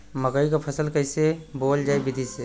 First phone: m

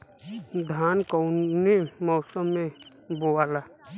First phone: d̪ʱ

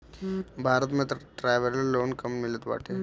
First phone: bʱ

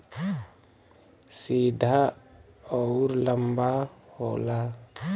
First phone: s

